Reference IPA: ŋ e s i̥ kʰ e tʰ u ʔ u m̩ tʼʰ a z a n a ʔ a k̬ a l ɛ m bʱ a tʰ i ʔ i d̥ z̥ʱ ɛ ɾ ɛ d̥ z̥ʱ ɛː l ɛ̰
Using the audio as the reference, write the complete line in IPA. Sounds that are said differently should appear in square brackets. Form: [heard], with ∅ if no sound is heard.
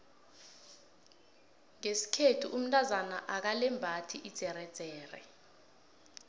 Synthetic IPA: ŋ e s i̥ kʰ e tʰ u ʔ u m̩ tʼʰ a z a n a ʔ a k̬ a l ɛ m bʱ a tʰ i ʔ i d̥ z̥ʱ ɛ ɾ ɛ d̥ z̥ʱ ɛː [r] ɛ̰